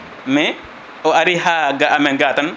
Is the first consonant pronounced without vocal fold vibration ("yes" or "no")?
no